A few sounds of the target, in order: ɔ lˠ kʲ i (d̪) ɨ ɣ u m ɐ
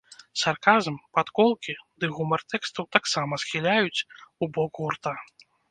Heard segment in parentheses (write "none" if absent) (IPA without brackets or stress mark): d̪